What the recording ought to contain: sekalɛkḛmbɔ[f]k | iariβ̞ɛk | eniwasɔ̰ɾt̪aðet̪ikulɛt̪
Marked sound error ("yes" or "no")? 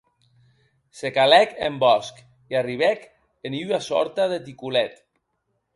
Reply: yes